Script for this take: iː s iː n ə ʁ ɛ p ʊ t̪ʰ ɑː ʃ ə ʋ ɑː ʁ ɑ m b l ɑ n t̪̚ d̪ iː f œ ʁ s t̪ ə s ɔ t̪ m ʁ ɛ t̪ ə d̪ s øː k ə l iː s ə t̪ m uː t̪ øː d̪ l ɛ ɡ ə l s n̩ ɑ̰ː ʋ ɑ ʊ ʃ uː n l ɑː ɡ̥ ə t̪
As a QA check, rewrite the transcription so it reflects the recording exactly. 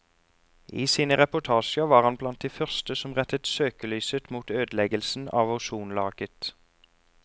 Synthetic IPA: iː s iː n ə ʁ ɛ p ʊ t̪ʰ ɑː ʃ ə ʋ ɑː ʁ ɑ n b l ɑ n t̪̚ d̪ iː f œ ʁ s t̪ ə s ɔ m ʁ ɛ t̪ ə t̪ s øː k ə l yː s ə t̪ m uː t̪ øː d̪ l ɛ ɡ ə l s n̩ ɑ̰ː ʋ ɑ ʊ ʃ uː n l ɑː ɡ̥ ə t̪